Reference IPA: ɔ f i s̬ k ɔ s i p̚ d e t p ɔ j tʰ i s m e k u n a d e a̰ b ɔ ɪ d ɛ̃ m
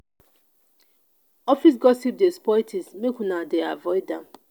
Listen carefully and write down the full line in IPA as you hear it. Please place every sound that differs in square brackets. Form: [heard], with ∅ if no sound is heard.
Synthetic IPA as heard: ɔ f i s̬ [ɡ] ɔ s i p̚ d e [s] p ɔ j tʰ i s m e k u n a d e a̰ [v] ɔ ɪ d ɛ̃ m